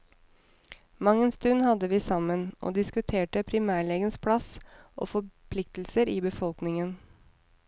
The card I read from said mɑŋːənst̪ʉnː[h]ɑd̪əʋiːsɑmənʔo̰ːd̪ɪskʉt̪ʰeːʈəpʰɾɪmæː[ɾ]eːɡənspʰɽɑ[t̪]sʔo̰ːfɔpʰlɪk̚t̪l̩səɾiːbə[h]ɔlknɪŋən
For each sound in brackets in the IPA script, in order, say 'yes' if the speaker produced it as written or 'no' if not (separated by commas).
yes, no, no, no